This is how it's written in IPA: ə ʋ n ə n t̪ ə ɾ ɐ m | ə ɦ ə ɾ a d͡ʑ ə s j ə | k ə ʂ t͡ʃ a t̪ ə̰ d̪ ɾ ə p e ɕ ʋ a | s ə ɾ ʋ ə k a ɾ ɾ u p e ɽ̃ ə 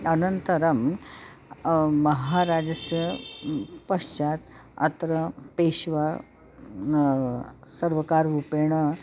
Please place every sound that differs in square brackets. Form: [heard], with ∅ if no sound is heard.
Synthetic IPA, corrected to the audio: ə [∅] n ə n t̪ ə ɾ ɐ m | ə ɦ [a] ɾ a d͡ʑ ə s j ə | [p] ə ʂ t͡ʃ a t̪ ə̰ [t̪] ɾ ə p e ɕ ʋ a | s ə ɾ ʋ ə k a ɾ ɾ u p e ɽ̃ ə